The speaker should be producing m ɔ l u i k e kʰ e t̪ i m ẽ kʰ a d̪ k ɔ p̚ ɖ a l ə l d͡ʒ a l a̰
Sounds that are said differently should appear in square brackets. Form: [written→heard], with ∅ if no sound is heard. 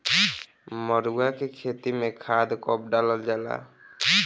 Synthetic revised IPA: m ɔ [l→ɾ] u [i→a] k e kʰ e t̪ i m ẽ kʰ a d̪ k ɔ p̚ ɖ a l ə l d͡ʒ a l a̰